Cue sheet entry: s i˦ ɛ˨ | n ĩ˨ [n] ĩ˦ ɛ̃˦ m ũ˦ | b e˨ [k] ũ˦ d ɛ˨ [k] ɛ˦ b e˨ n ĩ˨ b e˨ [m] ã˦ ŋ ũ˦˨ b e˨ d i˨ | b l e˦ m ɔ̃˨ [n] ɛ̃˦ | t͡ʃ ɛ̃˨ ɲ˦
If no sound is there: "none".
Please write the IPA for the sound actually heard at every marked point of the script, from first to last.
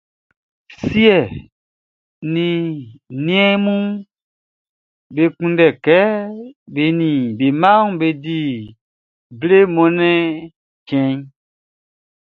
n, k, k, m, n

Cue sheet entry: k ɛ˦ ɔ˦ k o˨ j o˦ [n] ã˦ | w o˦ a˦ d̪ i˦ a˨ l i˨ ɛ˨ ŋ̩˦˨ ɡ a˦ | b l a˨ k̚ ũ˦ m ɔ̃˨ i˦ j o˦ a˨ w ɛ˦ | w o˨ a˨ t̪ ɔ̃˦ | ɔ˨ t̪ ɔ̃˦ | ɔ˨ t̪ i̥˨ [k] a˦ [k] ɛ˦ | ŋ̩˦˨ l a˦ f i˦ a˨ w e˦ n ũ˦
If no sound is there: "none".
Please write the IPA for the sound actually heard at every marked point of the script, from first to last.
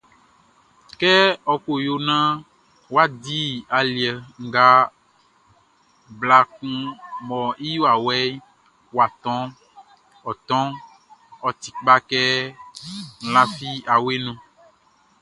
n, k͡p, k

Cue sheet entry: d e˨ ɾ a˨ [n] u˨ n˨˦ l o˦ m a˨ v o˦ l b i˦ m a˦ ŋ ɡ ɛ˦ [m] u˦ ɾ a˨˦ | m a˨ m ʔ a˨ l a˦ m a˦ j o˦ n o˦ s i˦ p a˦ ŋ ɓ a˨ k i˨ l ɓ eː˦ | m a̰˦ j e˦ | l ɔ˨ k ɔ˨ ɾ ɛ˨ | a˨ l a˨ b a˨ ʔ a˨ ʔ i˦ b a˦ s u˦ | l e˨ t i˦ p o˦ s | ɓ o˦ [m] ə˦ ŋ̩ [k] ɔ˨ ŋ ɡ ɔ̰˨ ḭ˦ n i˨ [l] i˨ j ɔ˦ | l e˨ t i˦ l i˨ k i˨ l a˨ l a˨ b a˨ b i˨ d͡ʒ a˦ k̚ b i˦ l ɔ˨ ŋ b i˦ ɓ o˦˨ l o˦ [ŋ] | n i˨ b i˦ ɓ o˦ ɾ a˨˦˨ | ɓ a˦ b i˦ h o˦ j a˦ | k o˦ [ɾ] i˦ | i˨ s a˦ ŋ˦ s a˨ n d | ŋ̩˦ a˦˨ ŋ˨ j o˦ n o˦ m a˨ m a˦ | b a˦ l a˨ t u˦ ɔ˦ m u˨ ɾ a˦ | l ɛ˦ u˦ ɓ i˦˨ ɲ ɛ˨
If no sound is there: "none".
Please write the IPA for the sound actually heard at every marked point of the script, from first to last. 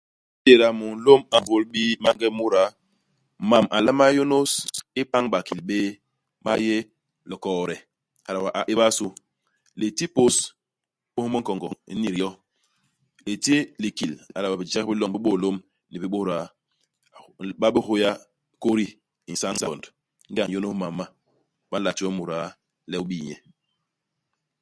m, m, m, k, ɾ, m, ɾ

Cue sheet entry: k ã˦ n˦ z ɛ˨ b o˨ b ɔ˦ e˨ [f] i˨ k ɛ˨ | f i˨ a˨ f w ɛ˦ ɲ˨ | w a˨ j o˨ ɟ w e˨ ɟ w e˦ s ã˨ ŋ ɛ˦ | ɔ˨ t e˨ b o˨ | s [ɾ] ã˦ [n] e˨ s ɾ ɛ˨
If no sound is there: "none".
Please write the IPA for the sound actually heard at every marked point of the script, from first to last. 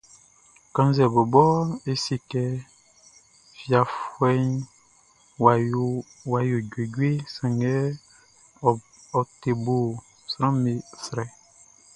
s, ɾ, m

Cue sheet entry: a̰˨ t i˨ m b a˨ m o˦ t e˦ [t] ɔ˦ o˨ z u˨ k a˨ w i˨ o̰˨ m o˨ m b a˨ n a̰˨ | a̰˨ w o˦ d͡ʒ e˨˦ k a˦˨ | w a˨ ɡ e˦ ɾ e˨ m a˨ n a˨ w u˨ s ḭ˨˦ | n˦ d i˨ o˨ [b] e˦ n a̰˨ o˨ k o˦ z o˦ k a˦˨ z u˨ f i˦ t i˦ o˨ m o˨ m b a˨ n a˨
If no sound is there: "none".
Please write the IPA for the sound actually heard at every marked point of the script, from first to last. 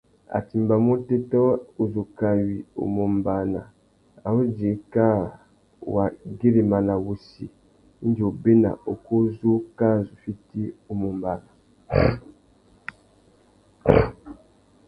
t, b

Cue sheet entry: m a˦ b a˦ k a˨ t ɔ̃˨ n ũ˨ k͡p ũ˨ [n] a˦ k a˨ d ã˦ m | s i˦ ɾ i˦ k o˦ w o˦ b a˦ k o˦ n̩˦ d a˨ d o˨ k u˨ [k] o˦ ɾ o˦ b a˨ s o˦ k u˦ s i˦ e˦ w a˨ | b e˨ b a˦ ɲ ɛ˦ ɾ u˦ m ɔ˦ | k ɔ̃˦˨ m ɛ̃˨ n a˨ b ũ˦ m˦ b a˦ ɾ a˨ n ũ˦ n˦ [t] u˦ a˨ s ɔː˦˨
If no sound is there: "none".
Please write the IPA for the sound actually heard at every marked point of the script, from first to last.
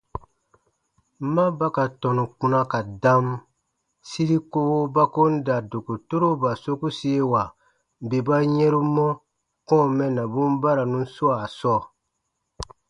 n, t, s

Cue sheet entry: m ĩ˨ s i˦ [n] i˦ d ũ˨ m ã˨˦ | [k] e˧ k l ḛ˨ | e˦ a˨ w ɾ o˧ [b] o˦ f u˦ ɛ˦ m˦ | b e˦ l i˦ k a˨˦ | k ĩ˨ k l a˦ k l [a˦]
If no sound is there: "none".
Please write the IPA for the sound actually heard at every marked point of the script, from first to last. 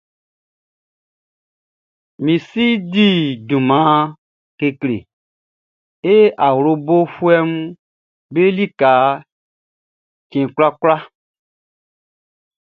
d, k, b, a˦

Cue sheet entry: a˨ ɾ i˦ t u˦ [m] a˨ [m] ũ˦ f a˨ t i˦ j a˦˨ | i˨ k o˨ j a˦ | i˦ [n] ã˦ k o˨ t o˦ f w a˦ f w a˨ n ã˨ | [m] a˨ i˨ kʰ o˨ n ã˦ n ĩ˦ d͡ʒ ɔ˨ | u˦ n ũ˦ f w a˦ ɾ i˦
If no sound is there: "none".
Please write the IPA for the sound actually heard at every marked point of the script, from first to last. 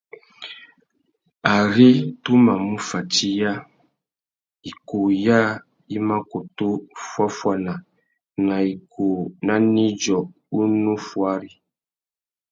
m, m, m, n

